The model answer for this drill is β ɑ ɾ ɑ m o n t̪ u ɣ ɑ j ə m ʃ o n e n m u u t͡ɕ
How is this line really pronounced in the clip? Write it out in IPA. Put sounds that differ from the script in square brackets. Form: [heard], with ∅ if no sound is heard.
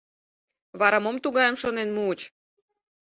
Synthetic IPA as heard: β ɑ ɾ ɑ m o [m] t̪ u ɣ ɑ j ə m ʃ o n e n m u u t͡ɕ